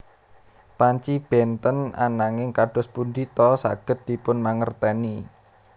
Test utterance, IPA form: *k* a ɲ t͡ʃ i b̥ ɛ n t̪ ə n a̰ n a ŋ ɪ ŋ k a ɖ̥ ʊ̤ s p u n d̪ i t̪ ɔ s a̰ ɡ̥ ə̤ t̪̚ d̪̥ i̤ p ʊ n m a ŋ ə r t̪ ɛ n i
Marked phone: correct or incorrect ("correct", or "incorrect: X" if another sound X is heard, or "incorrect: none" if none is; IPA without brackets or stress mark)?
incorrect: p